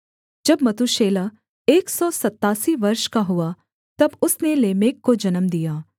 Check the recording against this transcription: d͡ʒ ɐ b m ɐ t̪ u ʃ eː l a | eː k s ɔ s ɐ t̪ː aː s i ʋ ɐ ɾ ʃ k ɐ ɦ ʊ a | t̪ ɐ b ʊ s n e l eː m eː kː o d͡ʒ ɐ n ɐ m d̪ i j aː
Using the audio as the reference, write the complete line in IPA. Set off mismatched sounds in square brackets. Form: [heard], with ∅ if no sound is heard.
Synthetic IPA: d͡ʒ ɐ b m ɐ t̪ u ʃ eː l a | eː k s ɔ s ɐ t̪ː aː s i ʋ ɐ ɾ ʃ k [a] ɦ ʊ a | t̪ ɐ b ʊ s n e l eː m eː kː o d͡ʒ ɐ n [ə] m d̪ i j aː

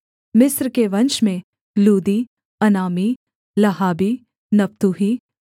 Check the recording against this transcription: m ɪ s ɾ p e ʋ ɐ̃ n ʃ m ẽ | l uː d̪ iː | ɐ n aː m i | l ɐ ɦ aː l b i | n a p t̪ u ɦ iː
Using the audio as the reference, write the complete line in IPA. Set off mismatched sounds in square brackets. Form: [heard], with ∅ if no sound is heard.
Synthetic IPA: m ɪ s ɾ [k] e ʋ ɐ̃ n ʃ m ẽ | l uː d̪ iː | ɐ n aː m i | l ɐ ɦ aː [∅] b i | n [ɐ] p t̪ u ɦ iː

